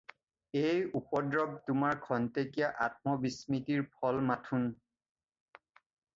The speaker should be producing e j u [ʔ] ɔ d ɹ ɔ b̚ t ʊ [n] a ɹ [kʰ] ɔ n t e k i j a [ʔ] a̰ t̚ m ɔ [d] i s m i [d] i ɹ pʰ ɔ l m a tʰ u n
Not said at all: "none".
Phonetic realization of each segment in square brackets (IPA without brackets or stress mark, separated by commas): p, m, kʰ, ʔ, b, t